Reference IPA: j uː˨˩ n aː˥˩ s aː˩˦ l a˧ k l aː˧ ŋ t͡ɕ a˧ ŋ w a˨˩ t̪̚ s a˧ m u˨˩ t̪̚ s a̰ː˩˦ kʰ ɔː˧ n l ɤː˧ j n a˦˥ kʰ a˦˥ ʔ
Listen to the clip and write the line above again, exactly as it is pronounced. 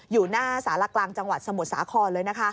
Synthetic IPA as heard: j uː˨˩ n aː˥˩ s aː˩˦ l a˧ k l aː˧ ŋ t͡ɕ a˧ ŋ w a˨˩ t̪̚ s a˧ m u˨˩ t̪̚ s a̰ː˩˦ kʰ ɔː˧ n l ɤː˧ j n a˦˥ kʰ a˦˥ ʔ